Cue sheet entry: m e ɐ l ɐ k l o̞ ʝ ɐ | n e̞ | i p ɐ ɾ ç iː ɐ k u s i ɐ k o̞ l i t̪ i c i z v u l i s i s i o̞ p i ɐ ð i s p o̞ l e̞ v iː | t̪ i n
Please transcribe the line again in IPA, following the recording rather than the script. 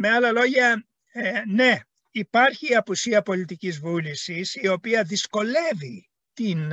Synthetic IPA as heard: m e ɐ l ɐ l o̞ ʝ ɐ | n e̞ | i p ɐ ɾ ç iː ɐ p u s i ɐ p o̞ l i t̪ i c i z v u l i s i s i o̞ p i ɐ ð i s k o̞ l e̞ v i | t̪ i n